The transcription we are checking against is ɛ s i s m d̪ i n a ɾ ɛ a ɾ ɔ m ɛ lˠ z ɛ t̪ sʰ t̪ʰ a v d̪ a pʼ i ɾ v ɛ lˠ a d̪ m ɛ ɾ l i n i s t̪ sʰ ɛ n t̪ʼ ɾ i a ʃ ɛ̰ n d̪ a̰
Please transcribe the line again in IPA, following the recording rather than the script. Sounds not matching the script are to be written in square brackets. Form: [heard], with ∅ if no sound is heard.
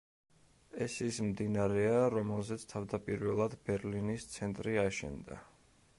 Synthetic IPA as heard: ɛ s i s m d̪ i n a ɾ ɛ a ɾ ɔ m ɛ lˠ z ɛ t̪ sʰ t̪ʰ a v d̪ a pʼ i ɾ v ɛ lˠ a d̪ [b] ɛ ɾ l i n i s t̪ sʰ ɛ n t̪ʼ ɾ i a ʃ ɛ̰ n d̪ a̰